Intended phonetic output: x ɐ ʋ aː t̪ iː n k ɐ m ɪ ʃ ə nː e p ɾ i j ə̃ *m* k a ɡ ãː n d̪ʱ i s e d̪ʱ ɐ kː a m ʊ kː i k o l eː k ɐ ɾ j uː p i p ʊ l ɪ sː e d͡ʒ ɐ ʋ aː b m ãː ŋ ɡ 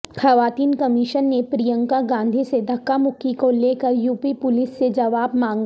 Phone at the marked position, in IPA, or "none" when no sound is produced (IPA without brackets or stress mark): ŋ